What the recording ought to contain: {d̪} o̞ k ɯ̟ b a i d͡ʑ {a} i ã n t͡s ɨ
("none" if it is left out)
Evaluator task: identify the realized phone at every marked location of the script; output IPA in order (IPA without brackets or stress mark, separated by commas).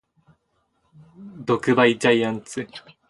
d̪, a